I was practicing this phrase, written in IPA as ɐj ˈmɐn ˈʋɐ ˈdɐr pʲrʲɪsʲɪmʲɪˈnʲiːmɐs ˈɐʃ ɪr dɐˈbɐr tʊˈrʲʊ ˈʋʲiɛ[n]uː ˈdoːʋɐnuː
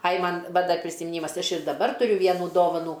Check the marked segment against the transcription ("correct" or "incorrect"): correct